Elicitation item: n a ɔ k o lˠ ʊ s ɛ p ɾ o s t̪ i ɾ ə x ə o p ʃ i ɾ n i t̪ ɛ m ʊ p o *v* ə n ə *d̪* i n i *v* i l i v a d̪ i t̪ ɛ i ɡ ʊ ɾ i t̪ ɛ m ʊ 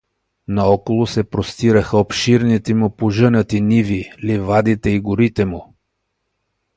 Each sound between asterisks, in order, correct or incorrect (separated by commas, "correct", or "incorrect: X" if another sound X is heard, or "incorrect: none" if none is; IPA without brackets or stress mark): incorrect: ʒ, incorrect: t̪, correct